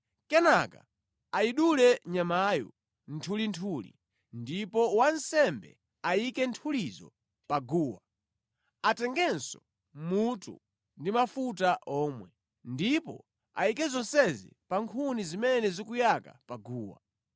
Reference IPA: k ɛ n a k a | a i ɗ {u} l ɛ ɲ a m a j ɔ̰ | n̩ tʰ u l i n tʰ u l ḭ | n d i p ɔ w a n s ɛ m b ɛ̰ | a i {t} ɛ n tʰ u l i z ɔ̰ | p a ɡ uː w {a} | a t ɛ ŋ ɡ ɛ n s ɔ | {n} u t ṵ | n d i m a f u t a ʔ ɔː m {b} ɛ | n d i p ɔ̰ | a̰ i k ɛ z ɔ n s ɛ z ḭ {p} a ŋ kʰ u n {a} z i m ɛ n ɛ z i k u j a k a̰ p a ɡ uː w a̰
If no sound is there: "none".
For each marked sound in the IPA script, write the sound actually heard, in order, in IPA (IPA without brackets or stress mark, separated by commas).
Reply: u, k, a, m, w, p, i